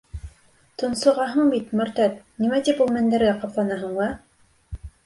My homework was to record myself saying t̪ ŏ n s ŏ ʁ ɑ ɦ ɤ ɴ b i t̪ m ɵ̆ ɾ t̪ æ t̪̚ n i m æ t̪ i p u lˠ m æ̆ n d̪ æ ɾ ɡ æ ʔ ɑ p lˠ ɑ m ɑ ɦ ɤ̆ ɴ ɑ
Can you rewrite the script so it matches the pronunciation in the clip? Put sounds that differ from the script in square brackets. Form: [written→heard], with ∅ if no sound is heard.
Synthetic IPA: t̪ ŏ n s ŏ ʁ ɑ ɦ ɤ ɴ b i t̪ m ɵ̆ ɾ t̪ æ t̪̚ n i m æ t̪ i p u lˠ m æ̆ n d̪ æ ɾ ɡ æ [ʔ→q] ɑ p lˠ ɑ [m→n] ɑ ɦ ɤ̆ ɴ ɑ

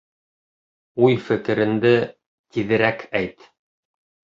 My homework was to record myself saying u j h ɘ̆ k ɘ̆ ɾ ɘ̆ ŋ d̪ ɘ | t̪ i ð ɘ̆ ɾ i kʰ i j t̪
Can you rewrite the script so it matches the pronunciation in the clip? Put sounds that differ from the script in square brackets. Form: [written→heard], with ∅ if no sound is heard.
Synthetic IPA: u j [h→f] ɘ̆ k ɘ̆ ɾ ɘ̆ [ŋ→n] d̪ ɘ | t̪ i ð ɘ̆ ɾ [i→æ] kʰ [i→æ] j t̪

